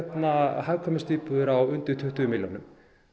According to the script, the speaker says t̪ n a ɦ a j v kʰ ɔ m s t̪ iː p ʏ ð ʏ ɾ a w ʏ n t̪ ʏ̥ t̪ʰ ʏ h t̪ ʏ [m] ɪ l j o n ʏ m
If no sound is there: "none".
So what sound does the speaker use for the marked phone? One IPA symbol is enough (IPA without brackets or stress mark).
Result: m